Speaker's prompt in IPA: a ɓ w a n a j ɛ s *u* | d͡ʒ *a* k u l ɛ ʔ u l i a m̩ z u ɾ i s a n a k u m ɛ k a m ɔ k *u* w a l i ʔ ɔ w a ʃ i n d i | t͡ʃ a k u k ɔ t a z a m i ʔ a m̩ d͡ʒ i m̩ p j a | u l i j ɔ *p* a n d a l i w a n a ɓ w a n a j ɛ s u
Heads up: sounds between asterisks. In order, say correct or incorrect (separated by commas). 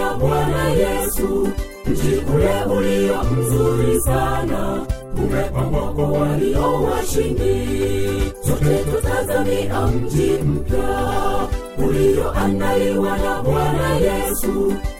correct, incorrect, incorrect, incorrect